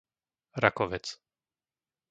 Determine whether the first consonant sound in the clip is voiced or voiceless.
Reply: voiced